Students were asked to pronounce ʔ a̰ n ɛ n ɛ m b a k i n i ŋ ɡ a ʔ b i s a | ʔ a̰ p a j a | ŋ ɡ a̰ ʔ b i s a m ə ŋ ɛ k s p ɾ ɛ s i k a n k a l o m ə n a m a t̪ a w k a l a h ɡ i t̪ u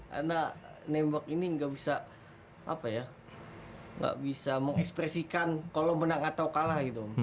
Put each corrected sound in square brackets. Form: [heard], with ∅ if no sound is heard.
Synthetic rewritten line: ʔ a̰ n [a] n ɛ m b a k i n i ŋ ɡ a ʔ b i s a | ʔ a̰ p a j a | ŋ ɡ a̰ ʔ b i s a m ə ŋ ɛ k s p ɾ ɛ s i k a n k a l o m ə n a [ŋ] a t̪ a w k a l a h ɡ i t̪ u